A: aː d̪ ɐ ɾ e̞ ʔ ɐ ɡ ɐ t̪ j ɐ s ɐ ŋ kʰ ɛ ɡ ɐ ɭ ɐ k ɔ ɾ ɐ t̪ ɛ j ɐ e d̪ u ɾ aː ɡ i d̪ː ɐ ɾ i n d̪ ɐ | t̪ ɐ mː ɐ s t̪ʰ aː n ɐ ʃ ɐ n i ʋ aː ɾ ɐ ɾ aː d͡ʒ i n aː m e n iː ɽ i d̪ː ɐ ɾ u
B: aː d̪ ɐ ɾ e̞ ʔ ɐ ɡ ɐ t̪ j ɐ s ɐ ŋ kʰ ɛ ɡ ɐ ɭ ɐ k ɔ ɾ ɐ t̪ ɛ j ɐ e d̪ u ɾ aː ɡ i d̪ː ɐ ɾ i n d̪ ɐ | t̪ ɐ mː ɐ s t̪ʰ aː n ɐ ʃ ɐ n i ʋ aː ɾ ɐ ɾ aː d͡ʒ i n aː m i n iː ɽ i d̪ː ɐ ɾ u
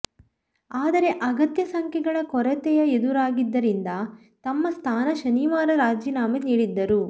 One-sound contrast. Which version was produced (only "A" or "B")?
A